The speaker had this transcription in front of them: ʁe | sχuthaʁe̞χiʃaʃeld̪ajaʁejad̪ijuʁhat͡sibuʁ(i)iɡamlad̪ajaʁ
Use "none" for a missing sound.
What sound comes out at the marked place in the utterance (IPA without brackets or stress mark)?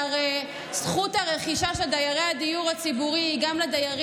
i